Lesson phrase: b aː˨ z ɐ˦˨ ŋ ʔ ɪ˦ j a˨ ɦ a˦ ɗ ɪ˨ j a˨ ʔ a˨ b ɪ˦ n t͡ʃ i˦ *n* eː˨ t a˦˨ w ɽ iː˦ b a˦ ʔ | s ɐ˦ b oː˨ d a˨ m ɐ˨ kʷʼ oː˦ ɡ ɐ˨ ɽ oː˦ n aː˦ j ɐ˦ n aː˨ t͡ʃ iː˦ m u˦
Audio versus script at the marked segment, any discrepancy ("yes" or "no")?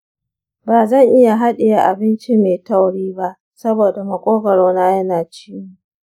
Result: yes